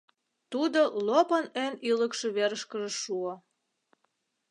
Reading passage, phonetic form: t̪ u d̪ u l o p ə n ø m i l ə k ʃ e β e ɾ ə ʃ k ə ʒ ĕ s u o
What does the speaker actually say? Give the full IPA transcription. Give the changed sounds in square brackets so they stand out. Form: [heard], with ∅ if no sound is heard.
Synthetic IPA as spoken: t̪ u d̪ [o] l o p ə n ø [n] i l ə k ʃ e β e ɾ ə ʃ k ə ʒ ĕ [ʃ] u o